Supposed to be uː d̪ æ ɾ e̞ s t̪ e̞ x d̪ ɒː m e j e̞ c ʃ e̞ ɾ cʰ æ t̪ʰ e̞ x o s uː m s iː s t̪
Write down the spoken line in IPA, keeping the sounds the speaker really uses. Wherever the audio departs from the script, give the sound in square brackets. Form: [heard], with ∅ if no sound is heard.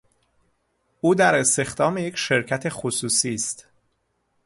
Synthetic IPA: uː d̪ æ ɾ e̞ s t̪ e̞ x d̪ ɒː m e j e̞ c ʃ e̞ ɾ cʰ æ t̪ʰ e̞ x o s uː [∅] s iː s t̪